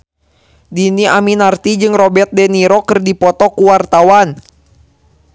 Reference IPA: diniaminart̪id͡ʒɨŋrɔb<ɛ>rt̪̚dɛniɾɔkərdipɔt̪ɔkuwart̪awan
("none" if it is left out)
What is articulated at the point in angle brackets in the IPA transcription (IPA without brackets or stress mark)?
ɛ